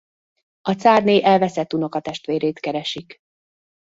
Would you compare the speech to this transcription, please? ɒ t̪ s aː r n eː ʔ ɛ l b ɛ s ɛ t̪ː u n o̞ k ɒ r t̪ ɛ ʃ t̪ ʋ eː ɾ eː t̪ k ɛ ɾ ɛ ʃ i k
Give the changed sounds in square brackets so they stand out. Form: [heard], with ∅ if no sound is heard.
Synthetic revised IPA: ɒ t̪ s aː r n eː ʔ ɛ l [v] ɛ s ɛ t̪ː u n o̞ k ɒ [∅] t̪ ɛ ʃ t̪ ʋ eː ɾ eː t̪ k ɛ ɾ ɛ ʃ i k